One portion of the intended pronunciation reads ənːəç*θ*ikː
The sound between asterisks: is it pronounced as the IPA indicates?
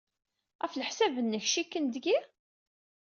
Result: no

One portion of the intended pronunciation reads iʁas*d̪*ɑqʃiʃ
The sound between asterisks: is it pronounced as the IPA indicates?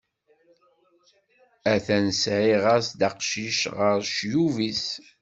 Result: yes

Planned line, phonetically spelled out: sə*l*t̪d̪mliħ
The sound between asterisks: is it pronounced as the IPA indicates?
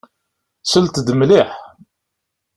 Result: yes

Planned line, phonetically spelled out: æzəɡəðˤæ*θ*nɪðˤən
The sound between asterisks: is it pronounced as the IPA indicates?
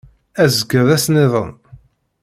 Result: no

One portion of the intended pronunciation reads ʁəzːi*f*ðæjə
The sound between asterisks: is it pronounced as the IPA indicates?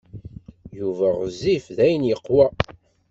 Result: yes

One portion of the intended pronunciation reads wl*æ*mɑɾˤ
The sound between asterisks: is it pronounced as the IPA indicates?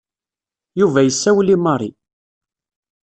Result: no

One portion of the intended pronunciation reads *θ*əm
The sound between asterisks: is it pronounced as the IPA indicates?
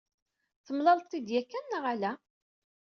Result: yes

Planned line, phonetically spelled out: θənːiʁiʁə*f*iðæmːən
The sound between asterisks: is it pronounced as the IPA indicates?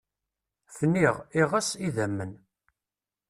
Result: no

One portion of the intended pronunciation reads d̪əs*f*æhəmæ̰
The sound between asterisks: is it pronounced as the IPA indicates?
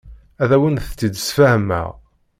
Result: yes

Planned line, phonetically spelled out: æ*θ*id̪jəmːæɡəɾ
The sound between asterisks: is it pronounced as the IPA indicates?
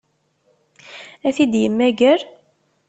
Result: yes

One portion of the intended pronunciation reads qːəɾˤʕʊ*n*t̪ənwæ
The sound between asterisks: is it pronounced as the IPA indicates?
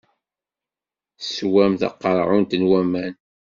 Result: yes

